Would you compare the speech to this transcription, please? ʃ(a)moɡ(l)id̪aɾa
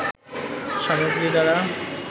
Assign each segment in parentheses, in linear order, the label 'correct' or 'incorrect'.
correct, incorrect: ɾ

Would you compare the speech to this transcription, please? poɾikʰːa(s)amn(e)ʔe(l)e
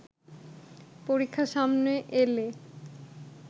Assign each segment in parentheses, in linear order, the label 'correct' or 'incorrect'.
incorrect: ʃ, correct, correct

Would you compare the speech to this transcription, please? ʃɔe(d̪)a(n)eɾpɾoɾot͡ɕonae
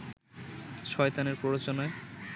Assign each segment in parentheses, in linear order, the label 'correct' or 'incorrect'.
incorrect: t̪, correct

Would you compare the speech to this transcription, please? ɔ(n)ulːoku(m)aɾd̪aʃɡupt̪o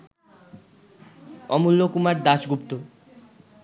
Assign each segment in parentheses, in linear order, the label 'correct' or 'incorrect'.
incorrect: m, correct

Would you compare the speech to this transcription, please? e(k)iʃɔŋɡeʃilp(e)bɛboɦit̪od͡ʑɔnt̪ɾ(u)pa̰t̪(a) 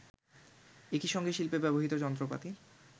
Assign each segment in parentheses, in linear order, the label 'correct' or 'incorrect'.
correct, correct, incorrect: o, incorrect: i

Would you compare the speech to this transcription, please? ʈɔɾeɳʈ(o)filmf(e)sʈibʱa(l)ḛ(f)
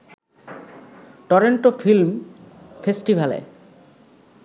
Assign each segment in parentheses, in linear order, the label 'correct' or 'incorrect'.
correct, correct, correct, incorrect: none

